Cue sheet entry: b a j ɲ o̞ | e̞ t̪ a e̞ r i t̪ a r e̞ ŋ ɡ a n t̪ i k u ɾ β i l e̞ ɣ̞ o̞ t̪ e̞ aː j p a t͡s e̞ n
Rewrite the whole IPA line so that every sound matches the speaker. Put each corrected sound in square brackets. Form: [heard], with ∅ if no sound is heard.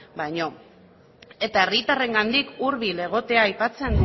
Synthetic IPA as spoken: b a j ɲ o̞ | e̞ t̪ a e̞ r i t̪ a r e̞ ŋ ɡ a n [d̪] i k u ɾ β i l e̞ ɣ̞ o̞ t̪ e̞ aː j p a t͡s e̞ n